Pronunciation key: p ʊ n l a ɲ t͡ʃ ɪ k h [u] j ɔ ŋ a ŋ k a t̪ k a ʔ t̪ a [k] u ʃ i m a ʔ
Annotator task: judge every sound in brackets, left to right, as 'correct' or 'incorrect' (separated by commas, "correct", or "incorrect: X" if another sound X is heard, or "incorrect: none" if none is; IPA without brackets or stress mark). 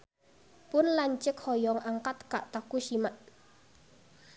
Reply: incorrect: ɔ, correct